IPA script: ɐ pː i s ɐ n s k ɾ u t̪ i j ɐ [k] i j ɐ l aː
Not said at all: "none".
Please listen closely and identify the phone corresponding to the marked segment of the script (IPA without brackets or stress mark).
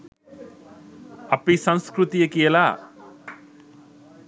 k